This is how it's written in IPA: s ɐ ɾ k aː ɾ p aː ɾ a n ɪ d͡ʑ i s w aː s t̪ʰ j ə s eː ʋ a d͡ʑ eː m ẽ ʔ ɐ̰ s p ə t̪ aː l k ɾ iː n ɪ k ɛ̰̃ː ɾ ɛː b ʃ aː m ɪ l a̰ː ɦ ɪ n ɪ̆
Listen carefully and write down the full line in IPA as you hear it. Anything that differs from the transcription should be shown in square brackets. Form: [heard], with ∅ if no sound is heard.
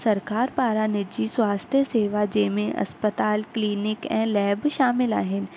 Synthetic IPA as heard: s ɐ ɾ k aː ɾ p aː ɾ a n ɪ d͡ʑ i s w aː s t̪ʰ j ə s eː ʋ a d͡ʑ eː m ẽ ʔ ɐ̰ s p ə t̪ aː l k [l] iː n ɪ k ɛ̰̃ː [l] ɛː b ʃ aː m ɪ l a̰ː ɦ ɪ n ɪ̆